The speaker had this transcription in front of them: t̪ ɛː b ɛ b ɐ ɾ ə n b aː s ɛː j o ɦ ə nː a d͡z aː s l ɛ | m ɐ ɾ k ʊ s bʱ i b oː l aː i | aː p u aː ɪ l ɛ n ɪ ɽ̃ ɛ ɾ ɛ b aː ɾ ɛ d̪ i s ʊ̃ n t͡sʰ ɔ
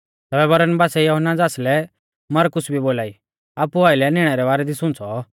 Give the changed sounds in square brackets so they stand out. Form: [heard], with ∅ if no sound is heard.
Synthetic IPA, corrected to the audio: t̪ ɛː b ɛ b ɐ ɾ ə n b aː s [ɛ] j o ɦ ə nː a d͡z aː s l ɛ | m ɐ ɾ k ʊ s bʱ i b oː l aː i | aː p u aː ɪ l ɛ n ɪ ɽ̃ ɛ ɾ ɛ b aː ɾ ɛ d̪ i s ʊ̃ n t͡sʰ ɔ

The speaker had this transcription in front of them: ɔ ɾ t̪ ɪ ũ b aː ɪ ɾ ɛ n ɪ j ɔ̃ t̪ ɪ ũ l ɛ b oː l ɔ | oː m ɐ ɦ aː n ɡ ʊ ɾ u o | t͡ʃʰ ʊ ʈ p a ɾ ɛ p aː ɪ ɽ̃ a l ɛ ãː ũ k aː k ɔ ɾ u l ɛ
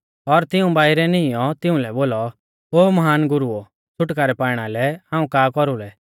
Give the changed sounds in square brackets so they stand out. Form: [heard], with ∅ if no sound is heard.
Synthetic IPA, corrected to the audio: ɔ ɾ t̪ ɪ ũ b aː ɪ ɾ ɛ n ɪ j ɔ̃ t̪ ɪ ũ l ɛ b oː l ɔ | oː m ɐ ɦ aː n ɡ ʊ ɾ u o | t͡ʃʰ ʊ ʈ [k] a ɾ ɛ p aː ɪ ɽ̃ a l ɛ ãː ũ k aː k ɔ ɾ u l ɛ

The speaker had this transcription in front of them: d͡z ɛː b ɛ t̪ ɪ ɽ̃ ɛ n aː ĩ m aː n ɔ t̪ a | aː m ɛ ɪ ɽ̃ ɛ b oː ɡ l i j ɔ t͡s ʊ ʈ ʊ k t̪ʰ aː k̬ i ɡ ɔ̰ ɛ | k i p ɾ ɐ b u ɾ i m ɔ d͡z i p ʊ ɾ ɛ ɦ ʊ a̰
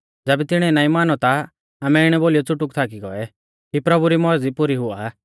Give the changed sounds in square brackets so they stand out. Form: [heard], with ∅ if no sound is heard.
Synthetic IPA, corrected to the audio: d͡z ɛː b ɛ t̪ ɪ ɽ̃ ɛ n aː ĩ m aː n ɔ t̪ a | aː m ɛ ɪ ɽ̃ ɛ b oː [∅] l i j ɔ t͡s ʊ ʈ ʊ k t̪ʰ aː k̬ i ɡ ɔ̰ ɛ | k i p ɾ ɐ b u ɾ i m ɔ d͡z i p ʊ ɾ [i] ɦ ʊ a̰

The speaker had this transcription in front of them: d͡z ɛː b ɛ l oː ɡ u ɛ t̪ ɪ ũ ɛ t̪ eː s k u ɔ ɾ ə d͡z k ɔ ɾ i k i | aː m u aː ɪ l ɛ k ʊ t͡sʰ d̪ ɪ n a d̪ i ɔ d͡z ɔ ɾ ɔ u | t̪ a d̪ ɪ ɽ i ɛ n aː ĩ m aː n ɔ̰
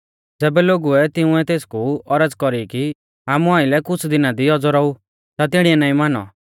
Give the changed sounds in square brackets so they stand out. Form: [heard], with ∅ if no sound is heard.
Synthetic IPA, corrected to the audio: d͡z ɛː b ɛ l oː ɡ u ɛ t̪ ɪ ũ ɛ t̪ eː s k u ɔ ɾ ə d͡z k ɔ ɾ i k i | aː m u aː ɪ l ɛ k ʊ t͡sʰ d̪ ɪ n a d̪ i ɔ d͡z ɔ ɾ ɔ u | t̪ a [t̪] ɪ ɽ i ɛ n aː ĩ m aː n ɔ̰

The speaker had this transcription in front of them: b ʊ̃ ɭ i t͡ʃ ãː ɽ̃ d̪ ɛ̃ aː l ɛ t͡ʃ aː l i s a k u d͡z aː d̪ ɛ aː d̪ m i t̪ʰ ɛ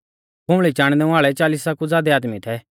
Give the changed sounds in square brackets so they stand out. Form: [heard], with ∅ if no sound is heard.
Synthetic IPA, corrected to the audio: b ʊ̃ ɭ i t͡ʃ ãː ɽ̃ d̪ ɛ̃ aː [ɭ] ɛ t͡ʃ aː l i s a k u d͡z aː d̪ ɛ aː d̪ m i t̪ʰ ɛ

